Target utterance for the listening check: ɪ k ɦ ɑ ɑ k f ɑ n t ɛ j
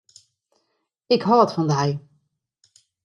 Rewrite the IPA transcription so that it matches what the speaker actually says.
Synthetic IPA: ɪ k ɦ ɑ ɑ t f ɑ n d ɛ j